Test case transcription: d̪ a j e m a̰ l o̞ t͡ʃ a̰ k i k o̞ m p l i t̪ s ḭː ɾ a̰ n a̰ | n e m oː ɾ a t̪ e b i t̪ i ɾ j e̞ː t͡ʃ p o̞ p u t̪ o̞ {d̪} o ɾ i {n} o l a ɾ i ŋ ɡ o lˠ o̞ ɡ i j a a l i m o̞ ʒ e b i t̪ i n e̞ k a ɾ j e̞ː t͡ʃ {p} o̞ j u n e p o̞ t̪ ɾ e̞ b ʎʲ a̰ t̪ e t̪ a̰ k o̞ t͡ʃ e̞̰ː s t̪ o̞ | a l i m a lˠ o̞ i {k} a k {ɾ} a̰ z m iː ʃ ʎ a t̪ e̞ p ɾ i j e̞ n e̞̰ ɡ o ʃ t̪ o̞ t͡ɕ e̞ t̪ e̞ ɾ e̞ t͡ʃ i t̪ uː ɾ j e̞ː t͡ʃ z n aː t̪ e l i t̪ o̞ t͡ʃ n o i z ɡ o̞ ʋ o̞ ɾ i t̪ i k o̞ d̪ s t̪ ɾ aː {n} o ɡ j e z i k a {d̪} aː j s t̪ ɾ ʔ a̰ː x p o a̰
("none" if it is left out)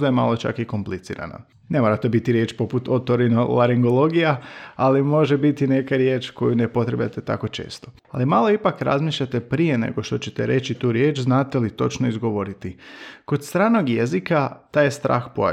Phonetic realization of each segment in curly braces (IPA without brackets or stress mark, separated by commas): t̪, n, k, p, ɾ, n, t̪